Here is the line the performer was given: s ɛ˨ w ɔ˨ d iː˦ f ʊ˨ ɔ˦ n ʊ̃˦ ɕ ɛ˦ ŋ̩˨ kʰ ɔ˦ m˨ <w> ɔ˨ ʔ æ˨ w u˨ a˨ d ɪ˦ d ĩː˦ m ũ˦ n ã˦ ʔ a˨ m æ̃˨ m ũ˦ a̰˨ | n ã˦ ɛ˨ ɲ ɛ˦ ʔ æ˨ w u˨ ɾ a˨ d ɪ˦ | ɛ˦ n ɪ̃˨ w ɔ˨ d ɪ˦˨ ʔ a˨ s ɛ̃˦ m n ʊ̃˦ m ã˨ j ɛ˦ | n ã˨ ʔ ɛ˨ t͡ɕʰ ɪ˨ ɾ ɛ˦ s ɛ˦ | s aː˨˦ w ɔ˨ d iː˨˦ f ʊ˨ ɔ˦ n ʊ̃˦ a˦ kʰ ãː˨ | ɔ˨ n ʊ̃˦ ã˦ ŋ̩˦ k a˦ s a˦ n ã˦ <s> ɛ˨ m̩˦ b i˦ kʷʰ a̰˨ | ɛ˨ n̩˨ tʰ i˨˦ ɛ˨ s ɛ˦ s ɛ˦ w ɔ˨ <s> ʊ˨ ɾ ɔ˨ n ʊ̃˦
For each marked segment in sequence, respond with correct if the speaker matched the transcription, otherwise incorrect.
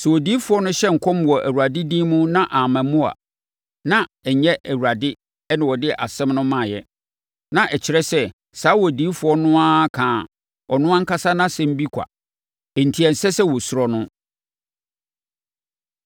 correct, correct, correct

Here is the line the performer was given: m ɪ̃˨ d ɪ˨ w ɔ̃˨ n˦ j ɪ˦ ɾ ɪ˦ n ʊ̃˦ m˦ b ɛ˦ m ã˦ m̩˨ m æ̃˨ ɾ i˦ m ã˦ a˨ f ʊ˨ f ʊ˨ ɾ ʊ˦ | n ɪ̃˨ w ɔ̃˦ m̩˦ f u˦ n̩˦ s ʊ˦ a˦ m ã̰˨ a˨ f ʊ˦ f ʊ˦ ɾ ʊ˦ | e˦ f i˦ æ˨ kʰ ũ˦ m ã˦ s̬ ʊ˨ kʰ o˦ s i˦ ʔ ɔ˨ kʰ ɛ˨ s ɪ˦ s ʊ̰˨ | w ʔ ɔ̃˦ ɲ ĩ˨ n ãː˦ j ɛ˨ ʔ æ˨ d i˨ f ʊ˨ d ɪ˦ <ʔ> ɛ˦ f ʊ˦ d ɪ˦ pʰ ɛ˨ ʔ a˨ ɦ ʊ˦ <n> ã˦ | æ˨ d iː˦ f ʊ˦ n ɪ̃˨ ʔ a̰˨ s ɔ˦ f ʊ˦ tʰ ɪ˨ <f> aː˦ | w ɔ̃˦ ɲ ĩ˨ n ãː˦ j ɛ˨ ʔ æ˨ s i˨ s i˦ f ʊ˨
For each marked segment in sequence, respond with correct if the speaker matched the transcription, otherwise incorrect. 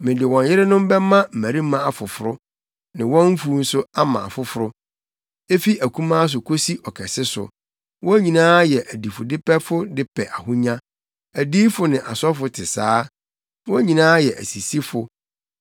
incorrect: p, incorrect: ɲ, incorrect: s

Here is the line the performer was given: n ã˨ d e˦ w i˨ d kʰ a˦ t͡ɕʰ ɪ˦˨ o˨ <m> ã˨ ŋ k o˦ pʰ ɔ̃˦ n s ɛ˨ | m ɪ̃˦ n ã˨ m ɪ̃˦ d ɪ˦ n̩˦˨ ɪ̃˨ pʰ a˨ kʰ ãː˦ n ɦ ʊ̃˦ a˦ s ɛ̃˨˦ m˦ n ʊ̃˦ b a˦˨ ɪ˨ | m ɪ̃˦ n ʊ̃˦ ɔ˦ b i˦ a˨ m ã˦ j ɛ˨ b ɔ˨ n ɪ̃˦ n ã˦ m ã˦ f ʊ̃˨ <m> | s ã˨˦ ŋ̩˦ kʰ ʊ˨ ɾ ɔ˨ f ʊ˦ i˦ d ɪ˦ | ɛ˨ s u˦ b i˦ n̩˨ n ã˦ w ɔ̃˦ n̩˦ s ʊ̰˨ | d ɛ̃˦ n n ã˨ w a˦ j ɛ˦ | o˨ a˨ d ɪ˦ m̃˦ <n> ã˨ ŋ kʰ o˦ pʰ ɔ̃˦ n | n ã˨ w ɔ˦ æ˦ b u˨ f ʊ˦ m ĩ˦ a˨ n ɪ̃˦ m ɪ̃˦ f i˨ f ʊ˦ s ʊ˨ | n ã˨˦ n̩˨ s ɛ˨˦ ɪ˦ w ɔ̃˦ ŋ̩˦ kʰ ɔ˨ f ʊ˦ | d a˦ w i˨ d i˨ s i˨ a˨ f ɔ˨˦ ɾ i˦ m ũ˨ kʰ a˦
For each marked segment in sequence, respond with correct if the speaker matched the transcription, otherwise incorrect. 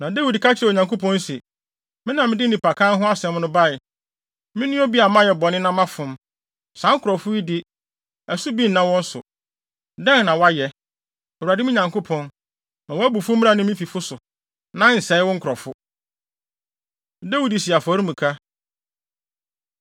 incorrect: ɲ, correct, incorrect: ɲ

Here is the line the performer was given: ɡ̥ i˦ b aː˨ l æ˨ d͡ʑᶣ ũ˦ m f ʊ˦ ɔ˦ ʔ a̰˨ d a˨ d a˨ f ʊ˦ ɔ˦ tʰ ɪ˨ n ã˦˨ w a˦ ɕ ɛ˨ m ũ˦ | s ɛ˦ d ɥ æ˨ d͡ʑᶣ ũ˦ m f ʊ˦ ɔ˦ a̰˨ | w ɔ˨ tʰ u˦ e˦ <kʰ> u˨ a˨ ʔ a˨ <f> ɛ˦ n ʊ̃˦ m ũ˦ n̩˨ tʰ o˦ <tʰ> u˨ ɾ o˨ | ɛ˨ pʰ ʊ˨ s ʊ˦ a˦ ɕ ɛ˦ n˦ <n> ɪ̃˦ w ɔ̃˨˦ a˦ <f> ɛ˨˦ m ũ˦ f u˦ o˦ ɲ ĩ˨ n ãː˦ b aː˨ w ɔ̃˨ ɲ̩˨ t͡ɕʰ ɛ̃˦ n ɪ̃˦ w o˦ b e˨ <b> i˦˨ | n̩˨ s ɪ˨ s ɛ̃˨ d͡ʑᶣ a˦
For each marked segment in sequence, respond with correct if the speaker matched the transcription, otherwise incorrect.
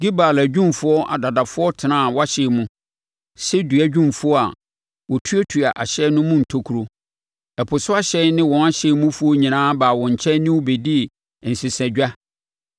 incorrect: tʰ, incorrect: ɕ, incorrect: kʰ, correct, incorrect: ɕ, incorrect: d

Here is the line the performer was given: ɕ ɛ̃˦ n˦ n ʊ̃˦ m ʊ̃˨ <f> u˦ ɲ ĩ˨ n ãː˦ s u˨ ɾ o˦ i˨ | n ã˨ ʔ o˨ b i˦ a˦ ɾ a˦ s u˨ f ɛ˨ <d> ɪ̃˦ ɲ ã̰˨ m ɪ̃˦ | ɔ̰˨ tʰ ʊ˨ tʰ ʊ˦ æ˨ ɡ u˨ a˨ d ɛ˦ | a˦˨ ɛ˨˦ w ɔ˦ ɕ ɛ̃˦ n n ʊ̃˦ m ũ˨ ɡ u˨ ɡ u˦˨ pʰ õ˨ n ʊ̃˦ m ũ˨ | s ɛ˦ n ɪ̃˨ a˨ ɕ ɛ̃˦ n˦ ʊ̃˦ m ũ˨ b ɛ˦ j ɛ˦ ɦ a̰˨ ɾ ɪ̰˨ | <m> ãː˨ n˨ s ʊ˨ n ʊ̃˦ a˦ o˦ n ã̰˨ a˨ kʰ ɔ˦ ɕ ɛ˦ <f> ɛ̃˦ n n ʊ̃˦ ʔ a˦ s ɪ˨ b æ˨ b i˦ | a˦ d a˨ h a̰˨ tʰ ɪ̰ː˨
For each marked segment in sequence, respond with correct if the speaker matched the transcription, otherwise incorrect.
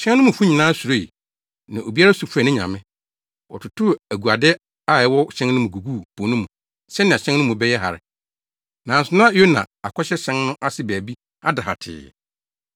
correct, incorrect: n, incorrect: n, incorrect: ɕ

